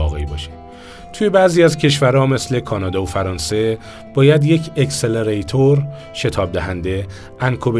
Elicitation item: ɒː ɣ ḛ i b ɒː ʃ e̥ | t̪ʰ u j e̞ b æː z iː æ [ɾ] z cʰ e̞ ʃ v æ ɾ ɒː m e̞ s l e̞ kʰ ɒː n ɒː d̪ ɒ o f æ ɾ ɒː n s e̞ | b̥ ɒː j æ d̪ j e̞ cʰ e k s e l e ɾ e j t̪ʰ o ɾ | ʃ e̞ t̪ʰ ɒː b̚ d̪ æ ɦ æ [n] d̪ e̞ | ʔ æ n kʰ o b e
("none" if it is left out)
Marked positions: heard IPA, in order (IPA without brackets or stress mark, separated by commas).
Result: none, n